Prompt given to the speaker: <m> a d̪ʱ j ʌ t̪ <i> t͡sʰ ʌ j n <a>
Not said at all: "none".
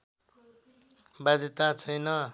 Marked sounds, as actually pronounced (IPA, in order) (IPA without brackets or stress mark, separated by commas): b, a, ʌ